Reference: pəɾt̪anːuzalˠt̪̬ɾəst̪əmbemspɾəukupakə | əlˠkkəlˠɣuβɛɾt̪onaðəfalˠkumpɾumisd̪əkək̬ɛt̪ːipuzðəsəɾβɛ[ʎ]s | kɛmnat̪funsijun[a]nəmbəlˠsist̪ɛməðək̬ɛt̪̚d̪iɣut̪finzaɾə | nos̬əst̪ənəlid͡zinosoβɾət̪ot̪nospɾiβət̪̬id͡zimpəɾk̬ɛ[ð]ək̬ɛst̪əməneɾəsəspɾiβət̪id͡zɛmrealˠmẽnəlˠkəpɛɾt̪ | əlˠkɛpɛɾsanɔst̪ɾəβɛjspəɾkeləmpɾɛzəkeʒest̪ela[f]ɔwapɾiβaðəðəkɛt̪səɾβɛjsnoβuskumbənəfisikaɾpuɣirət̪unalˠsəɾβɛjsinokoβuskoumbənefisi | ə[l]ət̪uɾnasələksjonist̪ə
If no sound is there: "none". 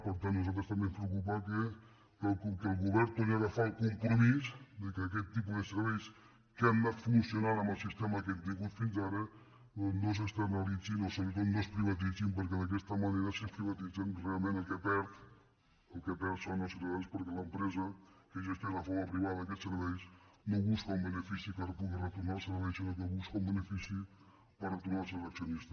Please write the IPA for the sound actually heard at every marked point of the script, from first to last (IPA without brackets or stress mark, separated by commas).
j, a, ð, f, r